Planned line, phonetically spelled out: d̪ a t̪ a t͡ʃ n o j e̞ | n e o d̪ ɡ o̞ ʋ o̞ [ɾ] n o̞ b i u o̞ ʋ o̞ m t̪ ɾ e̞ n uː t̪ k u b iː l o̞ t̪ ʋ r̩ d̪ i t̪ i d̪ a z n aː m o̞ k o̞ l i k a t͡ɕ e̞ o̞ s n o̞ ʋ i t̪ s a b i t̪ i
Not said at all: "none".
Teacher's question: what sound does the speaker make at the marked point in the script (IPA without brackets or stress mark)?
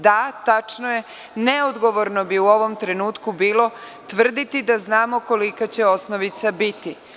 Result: ɾ